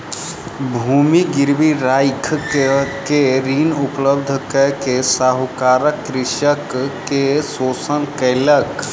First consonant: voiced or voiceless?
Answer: voiced